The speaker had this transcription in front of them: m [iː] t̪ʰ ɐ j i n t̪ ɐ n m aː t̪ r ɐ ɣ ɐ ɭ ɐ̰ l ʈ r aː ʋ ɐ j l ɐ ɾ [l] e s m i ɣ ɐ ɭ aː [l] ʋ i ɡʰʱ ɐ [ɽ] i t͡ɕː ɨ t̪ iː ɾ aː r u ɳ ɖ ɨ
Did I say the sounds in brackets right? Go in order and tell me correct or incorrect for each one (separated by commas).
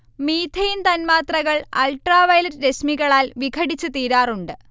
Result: correct, incorrect, correct, correct